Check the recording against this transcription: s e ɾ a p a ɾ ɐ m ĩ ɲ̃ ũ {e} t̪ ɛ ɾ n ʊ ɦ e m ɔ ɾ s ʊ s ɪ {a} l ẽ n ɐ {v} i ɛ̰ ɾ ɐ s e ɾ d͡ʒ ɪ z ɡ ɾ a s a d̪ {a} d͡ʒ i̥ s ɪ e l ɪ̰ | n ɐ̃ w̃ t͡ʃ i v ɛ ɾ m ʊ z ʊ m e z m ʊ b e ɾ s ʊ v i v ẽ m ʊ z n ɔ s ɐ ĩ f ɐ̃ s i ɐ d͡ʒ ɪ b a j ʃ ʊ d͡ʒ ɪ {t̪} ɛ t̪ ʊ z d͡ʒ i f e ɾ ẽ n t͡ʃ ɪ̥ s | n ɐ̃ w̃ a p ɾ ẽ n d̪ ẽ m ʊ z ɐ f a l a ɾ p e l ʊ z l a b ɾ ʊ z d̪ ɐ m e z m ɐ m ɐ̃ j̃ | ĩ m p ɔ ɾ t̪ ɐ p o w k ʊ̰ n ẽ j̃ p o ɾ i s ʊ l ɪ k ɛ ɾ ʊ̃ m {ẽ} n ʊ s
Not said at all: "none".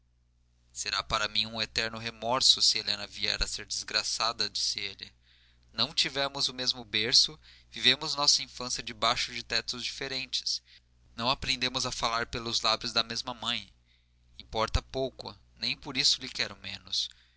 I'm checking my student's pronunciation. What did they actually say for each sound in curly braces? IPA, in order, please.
e, e, v, ɐ, t̪, ẽ

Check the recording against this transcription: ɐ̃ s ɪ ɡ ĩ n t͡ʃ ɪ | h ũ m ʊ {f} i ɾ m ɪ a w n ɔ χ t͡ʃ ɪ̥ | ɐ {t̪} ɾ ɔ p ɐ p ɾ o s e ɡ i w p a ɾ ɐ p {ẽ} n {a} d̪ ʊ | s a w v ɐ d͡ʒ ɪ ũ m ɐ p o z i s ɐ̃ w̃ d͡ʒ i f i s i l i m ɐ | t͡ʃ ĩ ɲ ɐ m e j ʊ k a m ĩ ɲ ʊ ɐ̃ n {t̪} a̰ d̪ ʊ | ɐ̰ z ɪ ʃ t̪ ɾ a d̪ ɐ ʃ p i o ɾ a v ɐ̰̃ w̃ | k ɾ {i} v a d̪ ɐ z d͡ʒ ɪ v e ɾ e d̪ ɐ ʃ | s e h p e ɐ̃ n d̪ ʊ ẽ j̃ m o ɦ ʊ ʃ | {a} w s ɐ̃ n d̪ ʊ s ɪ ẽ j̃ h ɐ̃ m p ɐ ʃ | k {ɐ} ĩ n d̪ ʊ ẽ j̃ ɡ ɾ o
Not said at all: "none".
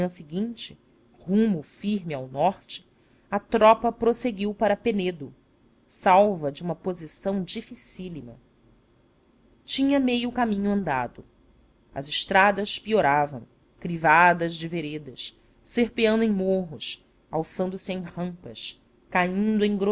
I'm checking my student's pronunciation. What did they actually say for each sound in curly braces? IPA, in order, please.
f, t̪, e, e, d̪, i, a, a

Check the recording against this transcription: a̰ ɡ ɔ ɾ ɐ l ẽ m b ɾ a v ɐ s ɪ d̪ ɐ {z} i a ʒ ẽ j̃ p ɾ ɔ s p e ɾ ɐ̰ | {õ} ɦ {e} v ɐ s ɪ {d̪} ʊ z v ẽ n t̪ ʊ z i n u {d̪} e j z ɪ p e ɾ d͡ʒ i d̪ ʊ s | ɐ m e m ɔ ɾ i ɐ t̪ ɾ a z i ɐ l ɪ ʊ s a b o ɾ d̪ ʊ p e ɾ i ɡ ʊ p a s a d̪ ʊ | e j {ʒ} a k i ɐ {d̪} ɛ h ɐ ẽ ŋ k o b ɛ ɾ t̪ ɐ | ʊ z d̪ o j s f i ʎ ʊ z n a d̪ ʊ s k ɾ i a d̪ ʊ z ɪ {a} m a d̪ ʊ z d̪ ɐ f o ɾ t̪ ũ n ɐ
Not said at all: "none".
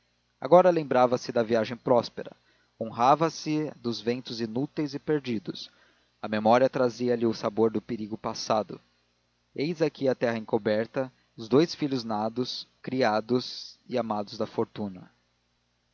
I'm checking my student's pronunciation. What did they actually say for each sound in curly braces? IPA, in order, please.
v, õ, a, d̪, t̪, z, t̪, a

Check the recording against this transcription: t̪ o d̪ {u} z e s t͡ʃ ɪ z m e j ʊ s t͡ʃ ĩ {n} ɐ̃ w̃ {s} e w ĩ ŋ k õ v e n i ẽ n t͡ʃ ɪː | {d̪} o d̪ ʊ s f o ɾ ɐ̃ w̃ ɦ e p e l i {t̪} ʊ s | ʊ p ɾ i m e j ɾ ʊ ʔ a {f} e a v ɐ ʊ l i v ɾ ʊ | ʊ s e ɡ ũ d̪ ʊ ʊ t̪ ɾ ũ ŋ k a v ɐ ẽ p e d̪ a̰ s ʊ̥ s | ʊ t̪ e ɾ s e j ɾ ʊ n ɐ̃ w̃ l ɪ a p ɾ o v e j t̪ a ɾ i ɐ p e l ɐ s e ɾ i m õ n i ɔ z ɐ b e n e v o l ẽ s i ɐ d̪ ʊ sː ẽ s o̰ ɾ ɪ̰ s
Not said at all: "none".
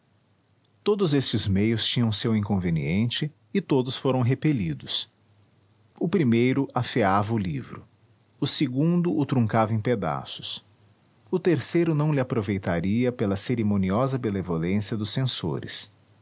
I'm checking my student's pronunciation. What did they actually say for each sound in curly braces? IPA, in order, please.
ʊ, ɲ, s, t̪, d̪, f

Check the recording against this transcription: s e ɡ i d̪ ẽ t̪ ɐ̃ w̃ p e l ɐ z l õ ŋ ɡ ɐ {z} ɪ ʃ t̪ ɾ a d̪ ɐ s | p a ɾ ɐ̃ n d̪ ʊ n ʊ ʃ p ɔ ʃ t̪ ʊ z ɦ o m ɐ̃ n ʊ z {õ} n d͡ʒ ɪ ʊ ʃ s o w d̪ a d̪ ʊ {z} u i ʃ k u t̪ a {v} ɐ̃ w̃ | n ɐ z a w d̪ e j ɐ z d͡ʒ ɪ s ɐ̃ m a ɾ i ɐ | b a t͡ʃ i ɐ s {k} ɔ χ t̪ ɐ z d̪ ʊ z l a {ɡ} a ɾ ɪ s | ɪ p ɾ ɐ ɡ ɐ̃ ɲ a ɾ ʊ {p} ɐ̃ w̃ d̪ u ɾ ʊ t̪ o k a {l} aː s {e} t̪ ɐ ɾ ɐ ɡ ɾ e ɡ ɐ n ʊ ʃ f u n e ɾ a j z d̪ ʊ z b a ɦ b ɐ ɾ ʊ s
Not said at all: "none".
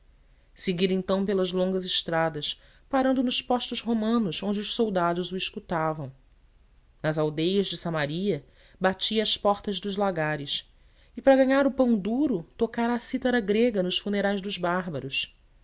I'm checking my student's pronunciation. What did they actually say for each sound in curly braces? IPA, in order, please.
z, õ, z, v, p, ɡ, p, ɾ, i

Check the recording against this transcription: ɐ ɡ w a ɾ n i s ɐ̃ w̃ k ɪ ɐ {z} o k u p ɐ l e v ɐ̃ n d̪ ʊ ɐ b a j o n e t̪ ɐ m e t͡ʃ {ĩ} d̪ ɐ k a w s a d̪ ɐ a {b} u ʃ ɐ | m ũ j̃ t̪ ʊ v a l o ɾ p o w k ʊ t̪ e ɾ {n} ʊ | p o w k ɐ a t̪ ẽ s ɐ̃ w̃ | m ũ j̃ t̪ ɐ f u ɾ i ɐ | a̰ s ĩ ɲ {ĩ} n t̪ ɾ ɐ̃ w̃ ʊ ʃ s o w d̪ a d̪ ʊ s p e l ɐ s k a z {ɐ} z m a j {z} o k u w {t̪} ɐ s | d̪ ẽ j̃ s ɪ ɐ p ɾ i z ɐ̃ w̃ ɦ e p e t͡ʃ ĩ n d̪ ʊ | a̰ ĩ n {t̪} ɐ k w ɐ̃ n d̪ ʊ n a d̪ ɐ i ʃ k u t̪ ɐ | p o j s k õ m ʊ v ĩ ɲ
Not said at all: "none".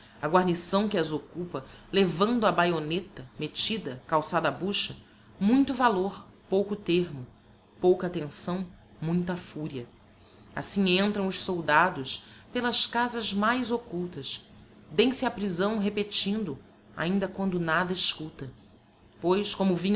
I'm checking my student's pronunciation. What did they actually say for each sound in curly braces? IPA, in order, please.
z, i, b, m, ẽ, ɐ, z, t̪, d̪

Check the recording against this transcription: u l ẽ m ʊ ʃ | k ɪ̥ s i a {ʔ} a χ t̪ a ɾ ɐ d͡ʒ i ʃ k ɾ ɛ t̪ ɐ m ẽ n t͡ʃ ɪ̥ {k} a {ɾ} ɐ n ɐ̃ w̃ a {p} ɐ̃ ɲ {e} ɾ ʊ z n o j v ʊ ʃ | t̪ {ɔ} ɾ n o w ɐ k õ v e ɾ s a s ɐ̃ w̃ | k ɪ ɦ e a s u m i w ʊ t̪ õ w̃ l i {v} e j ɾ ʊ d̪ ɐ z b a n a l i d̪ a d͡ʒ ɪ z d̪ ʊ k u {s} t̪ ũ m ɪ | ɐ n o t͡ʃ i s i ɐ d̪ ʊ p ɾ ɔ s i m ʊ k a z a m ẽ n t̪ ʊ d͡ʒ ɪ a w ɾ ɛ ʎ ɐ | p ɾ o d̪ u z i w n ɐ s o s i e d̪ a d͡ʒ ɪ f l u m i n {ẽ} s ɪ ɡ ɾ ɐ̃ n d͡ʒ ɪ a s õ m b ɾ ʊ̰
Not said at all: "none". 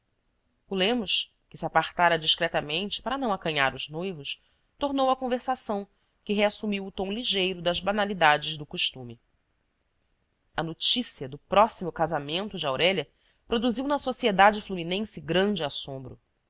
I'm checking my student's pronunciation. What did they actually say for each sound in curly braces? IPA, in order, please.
p, p, ɾ, k, a, o, ʒ, ʃ, ẽ

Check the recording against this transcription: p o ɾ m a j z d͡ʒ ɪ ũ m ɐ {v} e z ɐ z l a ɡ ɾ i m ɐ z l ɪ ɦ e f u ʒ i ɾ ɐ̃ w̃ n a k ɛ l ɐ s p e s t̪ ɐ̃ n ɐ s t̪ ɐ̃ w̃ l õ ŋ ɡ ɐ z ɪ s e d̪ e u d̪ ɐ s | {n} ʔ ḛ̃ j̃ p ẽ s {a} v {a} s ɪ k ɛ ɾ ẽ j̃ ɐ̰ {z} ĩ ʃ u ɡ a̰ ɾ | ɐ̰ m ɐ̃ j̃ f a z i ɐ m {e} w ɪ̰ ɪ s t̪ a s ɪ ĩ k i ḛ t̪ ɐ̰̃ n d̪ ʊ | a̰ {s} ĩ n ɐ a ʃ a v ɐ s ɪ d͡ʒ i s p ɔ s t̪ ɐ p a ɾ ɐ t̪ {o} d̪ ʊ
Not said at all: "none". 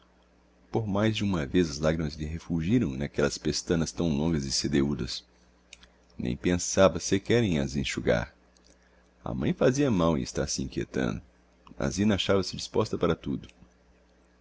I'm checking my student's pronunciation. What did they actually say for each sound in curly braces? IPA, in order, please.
v, n, a, ɐ, z, a, z, u

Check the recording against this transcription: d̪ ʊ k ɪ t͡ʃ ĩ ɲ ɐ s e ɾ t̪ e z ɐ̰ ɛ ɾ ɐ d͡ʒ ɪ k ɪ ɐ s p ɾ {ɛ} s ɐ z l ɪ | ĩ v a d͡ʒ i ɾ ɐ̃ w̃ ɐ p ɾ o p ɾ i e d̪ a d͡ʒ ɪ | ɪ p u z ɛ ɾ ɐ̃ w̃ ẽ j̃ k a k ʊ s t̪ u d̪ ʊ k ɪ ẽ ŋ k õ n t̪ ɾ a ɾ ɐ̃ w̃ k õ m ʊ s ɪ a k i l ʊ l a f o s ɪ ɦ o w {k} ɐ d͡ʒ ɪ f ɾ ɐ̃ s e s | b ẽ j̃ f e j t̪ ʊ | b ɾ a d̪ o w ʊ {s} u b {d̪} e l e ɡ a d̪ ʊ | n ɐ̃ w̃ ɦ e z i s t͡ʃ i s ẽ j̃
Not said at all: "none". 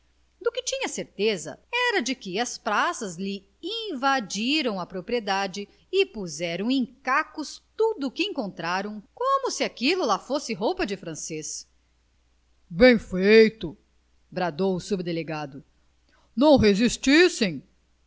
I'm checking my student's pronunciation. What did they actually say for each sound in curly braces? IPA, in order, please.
a, p, s, d̪

